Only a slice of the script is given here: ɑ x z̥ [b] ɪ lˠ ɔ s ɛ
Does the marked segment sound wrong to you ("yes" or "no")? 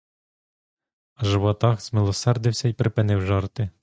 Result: yes